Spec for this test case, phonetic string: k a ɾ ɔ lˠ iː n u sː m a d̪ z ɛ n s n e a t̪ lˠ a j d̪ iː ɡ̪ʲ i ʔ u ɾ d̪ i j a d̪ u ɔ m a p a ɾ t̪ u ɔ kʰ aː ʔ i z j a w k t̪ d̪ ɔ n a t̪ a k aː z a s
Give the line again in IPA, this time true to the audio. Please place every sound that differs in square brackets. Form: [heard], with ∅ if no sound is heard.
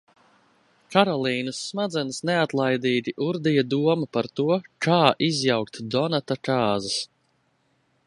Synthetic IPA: k a ɾ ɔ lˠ iː n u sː m a d̪ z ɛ n s n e a t̪ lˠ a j d̪ iː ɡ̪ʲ i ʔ u ɾ d̪ i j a d̪ u ɔ m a p a ɾ t̪ u ɔ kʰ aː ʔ i z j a w k t̪ d̪ ɔ n a t̪ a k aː z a s